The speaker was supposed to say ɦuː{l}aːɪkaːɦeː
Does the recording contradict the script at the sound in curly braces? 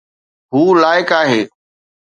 no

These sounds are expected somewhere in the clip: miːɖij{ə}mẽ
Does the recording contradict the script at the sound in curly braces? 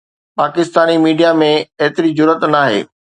yes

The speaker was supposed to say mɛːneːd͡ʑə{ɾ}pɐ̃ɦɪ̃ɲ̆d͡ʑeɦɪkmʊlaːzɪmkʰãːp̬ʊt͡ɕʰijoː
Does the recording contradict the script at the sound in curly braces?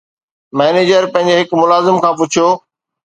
no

